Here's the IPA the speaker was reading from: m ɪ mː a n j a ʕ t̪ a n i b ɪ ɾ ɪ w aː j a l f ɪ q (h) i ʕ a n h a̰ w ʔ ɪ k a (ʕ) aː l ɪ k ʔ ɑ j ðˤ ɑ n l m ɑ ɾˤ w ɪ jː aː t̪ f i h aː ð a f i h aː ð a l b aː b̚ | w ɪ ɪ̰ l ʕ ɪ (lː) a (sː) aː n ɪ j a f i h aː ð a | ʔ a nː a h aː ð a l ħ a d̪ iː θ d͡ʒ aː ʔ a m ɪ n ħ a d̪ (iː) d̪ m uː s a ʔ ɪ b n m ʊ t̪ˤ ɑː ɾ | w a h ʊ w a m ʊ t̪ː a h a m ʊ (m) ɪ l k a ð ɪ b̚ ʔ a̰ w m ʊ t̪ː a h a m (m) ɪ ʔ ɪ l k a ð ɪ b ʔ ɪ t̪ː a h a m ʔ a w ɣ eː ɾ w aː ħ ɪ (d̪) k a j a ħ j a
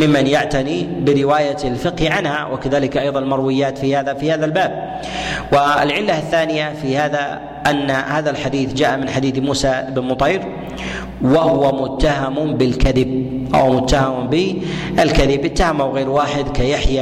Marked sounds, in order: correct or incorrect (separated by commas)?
correct, incorrect, correct, incorrect, correct, incorrect, incorrect, correct